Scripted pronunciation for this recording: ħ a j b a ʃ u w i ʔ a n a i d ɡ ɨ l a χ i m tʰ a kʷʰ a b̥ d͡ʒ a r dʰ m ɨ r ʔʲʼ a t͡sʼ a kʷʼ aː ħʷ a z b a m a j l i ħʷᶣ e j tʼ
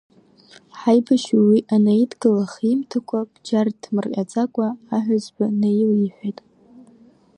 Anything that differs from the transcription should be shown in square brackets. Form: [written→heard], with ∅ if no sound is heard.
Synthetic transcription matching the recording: ħ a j b a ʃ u w i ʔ a n a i d ɡ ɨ l a χ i m tʰ a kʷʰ a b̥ d͡ʒ a r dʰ m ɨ r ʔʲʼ a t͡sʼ a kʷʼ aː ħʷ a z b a [m→n] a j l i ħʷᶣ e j tʼ